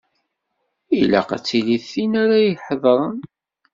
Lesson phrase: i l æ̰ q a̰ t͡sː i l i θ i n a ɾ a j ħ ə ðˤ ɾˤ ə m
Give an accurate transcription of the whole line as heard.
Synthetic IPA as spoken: i l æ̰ q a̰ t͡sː i l i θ i n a ɾ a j ħ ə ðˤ ɾˤ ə n